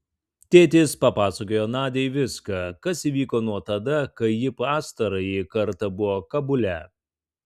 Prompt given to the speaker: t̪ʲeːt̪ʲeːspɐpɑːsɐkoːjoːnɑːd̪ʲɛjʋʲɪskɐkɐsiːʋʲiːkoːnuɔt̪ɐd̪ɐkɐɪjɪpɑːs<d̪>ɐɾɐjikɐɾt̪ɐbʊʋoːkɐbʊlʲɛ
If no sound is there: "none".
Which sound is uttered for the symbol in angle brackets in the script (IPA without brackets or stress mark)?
t̪